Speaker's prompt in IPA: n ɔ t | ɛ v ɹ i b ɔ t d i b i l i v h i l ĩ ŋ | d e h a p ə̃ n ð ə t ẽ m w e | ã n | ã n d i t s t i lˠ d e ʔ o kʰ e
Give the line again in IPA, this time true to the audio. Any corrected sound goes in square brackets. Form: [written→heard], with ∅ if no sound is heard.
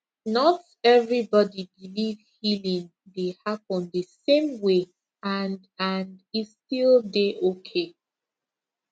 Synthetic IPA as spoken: n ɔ t | ɛ v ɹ i b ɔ [t→∅] d i b i l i v h i l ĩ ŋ | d e h a p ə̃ n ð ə [t→s] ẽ m w e | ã n | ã n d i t s t i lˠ d e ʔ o kʰ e